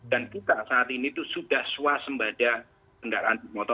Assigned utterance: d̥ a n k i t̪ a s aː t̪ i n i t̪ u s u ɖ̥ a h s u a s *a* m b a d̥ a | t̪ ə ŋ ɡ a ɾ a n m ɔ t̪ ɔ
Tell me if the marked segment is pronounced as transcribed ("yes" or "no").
no